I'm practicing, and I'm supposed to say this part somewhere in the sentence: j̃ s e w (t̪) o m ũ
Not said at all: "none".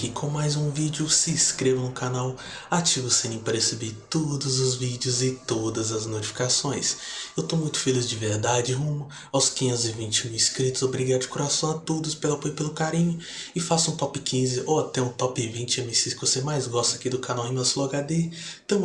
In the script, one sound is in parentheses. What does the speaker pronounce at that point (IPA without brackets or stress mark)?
t̪